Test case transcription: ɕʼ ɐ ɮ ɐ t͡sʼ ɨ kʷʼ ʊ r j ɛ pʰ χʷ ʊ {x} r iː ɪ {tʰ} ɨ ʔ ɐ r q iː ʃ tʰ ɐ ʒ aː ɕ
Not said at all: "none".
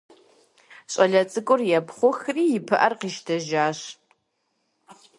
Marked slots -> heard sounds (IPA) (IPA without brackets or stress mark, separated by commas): x, pʰ